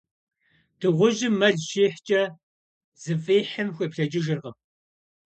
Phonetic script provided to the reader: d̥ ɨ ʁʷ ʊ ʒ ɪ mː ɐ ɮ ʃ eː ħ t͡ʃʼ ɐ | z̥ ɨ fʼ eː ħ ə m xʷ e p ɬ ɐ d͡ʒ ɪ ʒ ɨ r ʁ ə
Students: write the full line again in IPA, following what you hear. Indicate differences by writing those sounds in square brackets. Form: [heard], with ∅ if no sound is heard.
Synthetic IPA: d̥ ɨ ʁʷ ʊ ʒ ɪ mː ɐ ɮ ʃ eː ħ t͡ʃʼ ɐ | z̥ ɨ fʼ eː ħ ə m xʷ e p ɬ ɐ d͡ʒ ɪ ʒ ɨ r ʁ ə